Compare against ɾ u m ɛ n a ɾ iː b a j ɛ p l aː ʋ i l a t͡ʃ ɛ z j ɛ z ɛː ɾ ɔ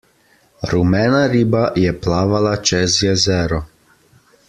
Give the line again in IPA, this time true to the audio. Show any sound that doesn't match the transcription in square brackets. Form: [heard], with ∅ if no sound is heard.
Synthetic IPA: ɾ u m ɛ n a ɾ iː b a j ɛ p l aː ʋ [a] l a t͡ʃ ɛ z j ɛ z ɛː ɾ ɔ